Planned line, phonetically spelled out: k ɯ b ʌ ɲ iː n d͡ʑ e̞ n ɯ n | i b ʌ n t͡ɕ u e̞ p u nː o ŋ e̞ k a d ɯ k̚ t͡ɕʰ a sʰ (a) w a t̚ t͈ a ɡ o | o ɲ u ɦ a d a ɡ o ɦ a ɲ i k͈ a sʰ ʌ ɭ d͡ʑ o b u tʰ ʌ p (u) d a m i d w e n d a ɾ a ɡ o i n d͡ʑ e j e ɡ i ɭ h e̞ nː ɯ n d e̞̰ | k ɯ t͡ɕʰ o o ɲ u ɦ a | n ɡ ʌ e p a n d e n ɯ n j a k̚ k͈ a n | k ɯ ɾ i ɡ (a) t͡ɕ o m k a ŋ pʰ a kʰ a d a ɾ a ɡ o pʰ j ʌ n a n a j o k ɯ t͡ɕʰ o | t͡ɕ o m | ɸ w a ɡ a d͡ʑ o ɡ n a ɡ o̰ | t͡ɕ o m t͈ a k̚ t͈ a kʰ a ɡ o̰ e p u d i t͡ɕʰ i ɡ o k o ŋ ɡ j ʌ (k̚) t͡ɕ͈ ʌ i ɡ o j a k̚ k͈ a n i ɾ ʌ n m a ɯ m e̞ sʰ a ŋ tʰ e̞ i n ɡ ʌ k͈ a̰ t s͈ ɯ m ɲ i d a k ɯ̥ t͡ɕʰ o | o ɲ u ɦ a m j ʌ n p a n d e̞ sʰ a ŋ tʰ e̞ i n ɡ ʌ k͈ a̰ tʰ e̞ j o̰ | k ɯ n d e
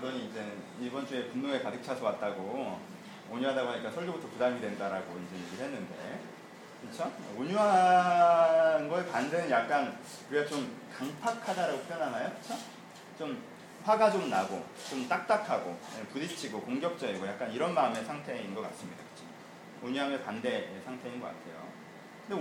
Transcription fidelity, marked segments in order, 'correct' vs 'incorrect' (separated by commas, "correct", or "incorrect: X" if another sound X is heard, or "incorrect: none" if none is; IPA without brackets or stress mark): incorrect: ʌ, correct, correct, correct